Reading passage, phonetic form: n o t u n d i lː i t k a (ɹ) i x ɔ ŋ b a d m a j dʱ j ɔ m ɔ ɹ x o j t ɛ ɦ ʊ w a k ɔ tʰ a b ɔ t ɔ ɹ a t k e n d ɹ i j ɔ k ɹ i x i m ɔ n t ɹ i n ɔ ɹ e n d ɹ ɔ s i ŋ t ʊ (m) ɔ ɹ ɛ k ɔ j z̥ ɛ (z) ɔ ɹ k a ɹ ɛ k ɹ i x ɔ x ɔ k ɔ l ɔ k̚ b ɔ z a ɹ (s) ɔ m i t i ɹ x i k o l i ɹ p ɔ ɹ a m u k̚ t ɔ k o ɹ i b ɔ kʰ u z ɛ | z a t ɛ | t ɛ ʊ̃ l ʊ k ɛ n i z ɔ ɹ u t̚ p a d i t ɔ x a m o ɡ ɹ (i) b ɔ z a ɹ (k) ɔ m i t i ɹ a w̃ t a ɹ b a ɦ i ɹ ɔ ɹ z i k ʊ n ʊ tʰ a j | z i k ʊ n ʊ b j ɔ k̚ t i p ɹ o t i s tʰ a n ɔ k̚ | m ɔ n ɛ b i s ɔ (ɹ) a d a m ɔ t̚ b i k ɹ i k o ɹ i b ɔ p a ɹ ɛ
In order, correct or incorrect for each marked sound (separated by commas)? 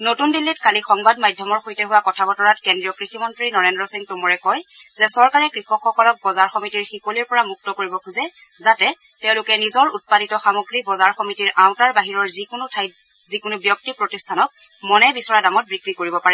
incorrect, correct, incorrect, incorrect, correct, incorrect, correct